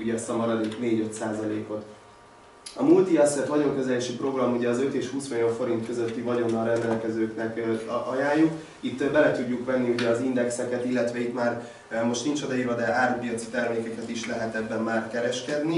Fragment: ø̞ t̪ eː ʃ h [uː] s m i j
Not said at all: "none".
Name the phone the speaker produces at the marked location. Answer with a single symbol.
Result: uː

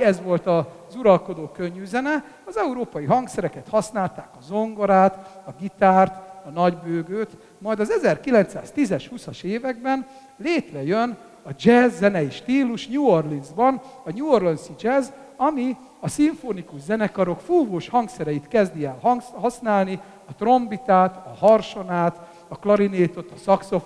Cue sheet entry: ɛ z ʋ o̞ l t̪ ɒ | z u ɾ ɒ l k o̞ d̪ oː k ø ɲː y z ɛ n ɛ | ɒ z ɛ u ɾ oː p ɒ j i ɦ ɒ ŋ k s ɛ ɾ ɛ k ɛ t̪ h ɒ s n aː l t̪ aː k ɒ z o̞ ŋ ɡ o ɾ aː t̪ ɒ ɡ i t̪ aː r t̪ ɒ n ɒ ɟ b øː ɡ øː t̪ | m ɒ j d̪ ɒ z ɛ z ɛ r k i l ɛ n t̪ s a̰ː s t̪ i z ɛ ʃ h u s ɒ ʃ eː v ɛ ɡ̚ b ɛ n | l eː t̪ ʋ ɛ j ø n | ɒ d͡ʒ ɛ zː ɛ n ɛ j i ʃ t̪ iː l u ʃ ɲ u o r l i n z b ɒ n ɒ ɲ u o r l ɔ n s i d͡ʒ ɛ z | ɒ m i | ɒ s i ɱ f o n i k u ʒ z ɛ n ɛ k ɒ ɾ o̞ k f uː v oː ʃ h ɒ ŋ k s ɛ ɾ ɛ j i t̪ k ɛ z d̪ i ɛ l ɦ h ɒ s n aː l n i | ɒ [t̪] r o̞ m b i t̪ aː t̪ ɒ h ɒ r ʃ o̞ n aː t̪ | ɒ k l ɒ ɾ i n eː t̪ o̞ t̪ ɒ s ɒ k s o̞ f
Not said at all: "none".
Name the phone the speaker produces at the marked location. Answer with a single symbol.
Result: t̪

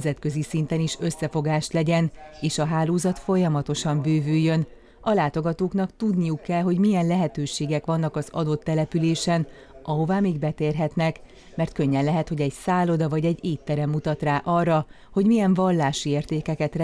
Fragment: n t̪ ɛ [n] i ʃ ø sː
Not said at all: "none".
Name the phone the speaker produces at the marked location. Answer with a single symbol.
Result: n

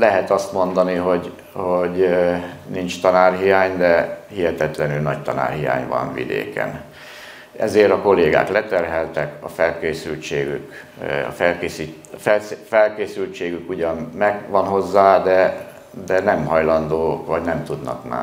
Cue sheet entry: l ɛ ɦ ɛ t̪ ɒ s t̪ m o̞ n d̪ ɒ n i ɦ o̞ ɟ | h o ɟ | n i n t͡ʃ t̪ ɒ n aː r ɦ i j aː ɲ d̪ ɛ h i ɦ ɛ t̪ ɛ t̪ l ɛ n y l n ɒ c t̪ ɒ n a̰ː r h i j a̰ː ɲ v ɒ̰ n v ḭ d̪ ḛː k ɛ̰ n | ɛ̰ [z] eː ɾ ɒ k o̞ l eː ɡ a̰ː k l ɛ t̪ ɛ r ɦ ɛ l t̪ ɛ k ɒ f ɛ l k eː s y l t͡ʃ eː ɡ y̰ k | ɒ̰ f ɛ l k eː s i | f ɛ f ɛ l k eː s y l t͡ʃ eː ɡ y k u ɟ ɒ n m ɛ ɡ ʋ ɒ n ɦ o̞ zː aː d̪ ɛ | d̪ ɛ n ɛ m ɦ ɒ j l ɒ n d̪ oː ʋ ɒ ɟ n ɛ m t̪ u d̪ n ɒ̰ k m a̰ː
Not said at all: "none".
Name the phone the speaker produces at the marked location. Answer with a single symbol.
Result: z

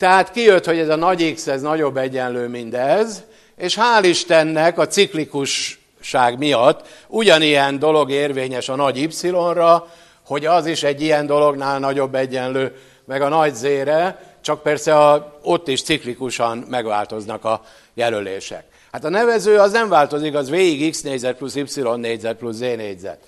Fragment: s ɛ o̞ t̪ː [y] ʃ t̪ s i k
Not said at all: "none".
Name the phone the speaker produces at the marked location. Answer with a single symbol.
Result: i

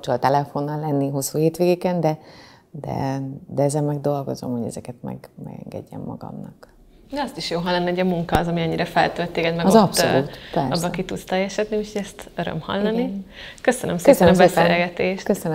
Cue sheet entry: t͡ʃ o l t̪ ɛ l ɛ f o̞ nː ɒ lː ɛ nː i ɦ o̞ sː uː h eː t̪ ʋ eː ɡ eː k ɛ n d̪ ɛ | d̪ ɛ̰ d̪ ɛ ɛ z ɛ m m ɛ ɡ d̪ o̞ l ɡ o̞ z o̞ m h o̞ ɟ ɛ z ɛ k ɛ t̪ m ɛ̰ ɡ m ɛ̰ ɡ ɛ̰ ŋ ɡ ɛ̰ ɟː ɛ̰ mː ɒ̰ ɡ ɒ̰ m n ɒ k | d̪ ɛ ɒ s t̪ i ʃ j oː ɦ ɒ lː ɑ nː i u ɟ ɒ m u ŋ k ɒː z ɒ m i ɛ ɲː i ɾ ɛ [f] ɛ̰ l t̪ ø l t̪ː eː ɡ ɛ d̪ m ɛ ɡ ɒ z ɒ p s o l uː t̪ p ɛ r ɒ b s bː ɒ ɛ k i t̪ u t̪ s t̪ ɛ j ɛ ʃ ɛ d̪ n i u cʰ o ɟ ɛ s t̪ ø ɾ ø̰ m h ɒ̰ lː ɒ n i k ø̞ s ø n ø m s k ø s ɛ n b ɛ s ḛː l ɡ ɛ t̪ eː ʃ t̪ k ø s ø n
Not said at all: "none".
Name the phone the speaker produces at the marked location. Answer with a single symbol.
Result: f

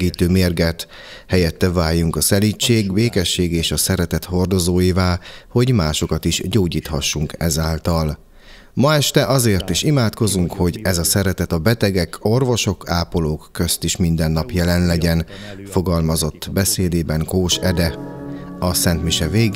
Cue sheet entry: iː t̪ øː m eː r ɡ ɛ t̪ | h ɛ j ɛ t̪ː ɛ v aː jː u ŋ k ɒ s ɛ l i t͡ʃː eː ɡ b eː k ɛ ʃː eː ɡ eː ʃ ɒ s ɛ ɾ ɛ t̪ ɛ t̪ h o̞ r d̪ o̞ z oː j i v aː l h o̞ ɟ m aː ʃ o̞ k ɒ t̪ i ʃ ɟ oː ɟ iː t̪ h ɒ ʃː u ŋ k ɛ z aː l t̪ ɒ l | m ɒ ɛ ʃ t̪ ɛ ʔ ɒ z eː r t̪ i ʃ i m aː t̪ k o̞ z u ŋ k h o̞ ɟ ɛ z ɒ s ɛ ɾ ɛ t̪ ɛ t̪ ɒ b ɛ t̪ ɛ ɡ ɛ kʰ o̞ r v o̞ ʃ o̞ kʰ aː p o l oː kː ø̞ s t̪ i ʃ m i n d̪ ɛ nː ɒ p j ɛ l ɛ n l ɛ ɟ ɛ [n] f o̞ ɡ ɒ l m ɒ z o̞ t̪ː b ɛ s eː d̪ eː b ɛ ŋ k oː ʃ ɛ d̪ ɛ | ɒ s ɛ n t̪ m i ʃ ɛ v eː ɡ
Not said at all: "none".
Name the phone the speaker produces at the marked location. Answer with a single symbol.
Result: n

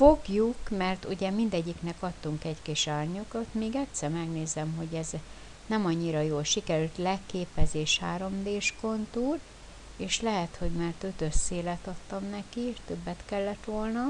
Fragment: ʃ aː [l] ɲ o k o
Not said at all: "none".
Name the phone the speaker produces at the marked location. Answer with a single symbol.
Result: r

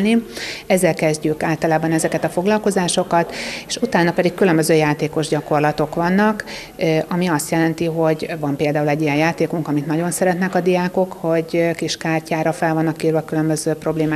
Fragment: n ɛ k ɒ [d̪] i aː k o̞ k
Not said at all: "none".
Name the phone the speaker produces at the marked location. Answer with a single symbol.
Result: d̪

